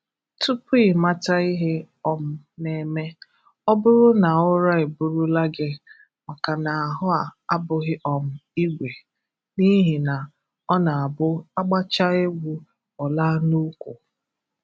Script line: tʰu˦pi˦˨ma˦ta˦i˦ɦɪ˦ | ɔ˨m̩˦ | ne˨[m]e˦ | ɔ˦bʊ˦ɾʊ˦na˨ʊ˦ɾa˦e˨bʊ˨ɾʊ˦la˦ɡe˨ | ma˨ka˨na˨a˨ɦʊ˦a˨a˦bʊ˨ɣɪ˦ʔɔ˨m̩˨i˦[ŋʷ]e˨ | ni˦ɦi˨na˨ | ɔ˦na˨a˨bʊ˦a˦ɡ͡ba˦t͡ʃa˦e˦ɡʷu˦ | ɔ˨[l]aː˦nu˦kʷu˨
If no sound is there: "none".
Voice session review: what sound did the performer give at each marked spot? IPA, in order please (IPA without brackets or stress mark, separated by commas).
m, ɡʷ, l